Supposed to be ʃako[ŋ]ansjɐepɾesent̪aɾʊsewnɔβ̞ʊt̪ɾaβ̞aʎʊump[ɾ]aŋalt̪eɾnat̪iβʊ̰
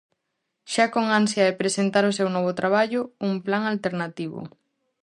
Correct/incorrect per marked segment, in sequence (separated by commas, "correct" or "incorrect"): correct, incorrect